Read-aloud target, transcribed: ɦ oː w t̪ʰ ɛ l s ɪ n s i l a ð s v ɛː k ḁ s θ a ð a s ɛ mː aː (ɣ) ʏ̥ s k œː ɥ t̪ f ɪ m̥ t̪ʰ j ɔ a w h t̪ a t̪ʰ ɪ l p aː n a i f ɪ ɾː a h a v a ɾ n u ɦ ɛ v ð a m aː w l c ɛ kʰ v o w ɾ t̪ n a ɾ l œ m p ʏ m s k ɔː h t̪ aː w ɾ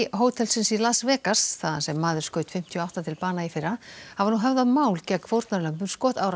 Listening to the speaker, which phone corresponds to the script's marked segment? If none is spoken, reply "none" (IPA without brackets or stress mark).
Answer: ð